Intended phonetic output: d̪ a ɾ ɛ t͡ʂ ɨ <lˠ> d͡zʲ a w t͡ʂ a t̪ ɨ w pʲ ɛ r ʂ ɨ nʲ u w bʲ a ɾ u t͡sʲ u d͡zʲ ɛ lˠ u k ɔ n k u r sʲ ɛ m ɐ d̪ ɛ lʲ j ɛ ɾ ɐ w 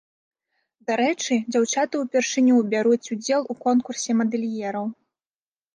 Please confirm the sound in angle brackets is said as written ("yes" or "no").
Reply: no